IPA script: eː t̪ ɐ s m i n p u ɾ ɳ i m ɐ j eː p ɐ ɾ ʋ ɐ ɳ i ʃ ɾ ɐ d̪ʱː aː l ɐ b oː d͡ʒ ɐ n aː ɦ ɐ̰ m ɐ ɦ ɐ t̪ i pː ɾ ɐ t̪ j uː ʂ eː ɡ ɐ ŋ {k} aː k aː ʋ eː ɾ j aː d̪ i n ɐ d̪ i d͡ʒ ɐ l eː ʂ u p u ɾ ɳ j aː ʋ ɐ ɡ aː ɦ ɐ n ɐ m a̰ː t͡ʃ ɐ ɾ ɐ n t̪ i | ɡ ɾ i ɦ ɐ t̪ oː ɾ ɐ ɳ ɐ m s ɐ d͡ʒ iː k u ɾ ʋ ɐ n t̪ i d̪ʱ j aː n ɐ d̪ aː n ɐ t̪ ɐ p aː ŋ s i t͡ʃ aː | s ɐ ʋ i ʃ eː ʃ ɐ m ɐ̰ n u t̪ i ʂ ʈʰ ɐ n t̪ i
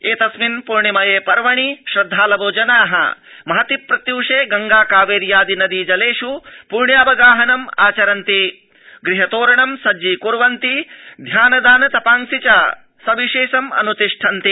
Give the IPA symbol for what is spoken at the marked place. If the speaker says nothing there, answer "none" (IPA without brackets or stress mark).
ɡ